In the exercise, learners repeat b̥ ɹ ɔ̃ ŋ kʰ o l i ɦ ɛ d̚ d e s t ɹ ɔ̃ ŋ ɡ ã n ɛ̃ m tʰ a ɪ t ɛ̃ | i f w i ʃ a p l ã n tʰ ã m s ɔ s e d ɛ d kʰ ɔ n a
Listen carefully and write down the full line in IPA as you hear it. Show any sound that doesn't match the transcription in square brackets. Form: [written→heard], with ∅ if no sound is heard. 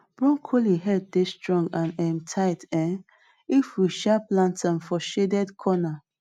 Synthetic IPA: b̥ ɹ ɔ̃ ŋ kʰ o l i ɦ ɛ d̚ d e s t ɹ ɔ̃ ŋ ɡ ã n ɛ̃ m tʰ a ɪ t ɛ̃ | i f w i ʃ a p l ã n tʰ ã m [s→f] ɔ [s→ʃ] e d ɛ d kʰ ɔ n a